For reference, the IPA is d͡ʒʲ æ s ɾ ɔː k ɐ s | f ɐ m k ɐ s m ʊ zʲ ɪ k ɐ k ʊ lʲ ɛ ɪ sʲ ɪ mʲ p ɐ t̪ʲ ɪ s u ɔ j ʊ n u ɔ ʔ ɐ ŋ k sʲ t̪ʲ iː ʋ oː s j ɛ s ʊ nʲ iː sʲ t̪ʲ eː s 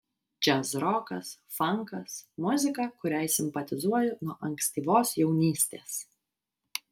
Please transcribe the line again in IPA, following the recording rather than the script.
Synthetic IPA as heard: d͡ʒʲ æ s ɾ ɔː k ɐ s | f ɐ ŋ k ɐ s m ʊ zʲ ɪ k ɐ k ʊ ɾʲ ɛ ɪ sʲ ɪ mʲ p ɐ t̪ʲ ɪ z u ɔ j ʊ n u ɔ ʔ ɐ ŋ k sʲ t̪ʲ iː ʋ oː s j ɛ ʊ nʲ iː sʲ t̪ʲ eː s

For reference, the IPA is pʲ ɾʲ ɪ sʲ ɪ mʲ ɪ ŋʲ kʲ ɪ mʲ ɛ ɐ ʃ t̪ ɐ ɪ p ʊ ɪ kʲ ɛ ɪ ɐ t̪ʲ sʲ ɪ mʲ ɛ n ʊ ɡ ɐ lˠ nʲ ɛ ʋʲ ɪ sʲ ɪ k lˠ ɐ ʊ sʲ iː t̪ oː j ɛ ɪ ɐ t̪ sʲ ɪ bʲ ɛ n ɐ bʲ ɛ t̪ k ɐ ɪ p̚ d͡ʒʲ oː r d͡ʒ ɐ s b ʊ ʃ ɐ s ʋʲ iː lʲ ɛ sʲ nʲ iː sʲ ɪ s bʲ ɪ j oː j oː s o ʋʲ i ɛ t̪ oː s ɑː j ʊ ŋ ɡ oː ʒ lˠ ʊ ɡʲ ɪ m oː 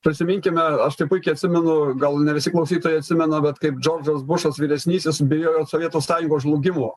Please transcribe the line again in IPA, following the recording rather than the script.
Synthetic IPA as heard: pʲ ɾʲ ɪ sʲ ɪ mʲ ɪ ŋʲ kʲ ɪ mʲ ɛ ɐ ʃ t̪ ɐ ɪ p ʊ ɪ kʲ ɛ ɪ ɐ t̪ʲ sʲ ɪ mʲ ɛ n ʊ ɡ ɐ lˠ nʲ ɛ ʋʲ ɪ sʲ ɪ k lˠ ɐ ʊ sʲ iː t̪ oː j ɛ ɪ ɐ t̪ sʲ ɪ mʲ ɛ n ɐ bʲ ɛ t̪ k ɐ ɪ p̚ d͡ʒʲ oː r d͡ʒ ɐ s b ʊ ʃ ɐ s ʋʲ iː ɾʲ ɛ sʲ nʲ iː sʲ ɪ s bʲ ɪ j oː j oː s o ʋʲ i ɛ t̪ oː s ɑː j ʊ ŋ ɡ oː ʒ lˠ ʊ ɡʲ ɪ m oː

